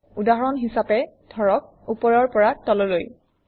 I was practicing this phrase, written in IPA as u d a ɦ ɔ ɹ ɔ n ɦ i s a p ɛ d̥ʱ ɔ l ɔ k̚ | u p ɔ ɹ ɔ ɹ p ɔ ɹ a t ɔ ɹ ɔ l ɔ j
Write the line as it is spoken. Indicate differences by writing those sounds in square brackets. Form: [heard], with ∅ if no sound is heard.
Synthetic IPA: u d a ɦ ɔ ɹ ɔ n ɦ i s a p ɛ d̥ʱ ɔ [ɹ] ɔ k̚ | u p ɔ ɹ ɔ ɹ p ɔ ɹ a t ɔ [l] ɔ l [o] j